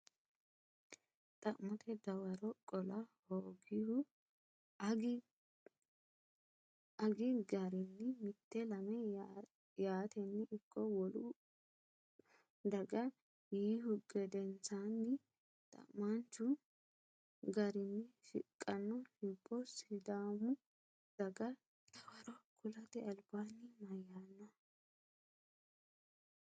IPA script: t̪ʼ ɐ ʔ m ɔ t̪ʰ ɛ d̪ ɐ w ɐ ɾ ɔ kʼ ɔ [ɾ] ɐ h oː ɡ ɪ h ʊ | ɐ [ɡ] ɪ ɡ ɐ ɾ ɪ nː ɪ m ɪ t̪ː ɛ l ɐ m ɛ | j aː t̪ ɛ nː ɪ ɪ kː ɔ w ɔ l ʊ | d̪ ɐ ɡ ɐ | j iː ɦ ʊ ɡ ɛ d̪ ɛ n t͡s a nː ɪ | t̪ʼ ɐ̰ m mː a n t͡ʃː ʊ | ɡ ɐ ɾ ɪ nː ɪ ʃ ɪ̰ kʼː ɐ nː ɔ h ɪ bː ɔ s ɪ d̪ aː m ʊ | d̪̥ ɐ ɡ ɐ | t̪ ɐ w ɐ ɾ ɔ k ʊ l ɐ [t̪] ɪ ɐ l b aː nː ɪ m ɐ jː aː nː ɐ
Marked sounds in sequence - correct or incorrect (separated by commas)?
incorrect, correct, correct